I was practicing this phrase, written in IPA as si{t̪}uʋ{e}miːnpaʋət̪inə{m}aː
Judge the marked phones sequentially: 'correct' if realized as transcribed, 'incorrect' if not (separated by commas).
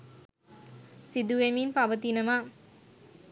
incorrect, correct, correct